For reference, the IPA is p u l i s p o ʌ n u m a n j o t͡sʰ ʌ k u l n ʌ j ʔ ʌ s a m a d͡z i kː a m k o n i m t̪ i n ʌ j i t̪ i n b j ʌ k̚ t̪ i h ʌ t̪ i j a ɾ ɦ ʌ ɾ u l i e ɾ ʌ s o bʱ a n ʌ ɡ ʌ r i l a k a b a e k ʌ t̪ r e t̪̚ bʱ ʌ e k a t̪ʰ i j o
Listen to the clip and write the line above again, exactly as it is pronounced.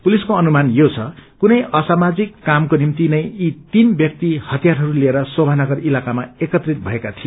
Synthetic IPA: p u l i s k o ʌ n u m a n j o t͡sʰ ʌ k u n ʌ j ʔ ʌ s a m a d͡z i kː a m k o n i m t̪ i n ʌ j i t̪ i n b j ʌ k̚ t̪ i h ʌ t̪ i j a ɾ ɦ ʌ ɾ u l i e ɾ ʌ s o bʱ a n ʌ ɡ ʌ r i l a k a m a e k ʌ t̪ r i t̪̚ bʱ ʌ e k a t̪ʰ i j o